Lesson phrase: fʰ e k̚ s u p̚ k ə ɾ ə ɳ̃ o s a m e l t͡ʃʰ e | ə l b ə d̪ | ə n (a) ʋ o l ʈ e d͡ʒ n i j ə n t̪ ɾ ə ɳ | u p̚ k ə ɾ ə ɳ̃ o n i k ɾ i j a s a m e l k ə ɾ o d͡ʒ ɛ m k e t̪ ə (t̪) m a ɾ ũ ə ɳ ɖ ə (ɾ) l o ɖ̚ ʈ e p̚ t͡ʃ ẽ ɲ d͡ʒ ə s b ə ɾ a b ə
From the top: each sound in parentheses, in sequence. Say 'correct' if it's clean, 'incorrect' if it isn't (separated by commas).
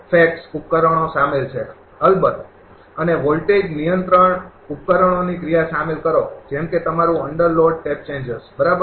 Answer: incorrect, incorrect, correct